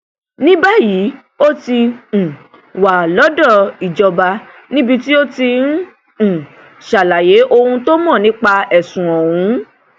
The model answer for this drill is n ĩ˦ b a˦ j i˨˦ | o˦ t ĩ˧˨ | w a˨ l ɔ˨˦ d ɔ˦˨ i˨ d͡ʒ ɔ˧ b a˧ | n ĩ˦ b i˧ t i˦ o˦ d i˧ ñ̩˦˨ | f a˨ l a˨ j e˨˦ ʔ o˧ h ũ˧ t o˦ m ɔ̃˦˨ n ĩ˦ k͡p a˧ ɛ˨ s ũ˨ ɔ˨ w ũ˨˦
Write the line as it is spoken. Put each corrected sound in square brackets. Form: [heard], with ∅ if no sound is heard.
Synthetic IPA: n ĩ˦ b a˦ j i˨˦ | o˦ t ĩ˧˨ | w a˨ l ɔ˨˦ d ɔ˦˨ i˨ d͡ʒ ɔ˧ b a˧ | n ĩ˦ b i˧ t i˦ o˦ [t] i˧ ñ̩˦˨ | [ʃ] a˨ l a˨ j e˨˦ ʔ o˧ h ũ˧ t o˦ m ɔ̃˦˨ n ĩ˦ k͡p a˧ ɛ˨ s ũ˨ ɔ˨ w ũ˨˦